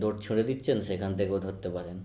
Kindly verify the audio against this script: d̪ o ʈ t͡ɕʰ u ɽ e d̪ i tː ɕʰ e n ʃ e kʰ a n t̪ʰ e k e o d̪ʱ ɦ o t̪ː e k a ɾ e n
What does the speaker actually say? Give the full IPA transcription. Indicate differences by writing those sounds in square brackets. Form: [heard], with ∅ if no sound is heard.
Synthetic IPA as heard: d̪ o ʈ t͡ɕʰ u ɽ e d̪ i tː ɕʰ e n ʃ e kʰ a n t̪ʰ e k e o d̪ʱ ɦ o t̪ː e [p] a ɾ e n